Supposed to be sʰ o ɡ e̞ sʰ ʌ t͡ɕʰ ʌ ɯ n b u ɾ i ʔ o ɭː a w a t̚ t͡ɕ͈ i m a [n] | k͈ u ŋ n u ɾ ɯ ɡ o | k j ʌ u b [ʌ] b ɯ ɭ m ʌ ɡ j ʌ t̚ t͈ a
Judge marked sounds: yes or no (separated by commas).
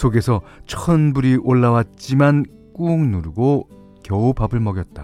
yes, no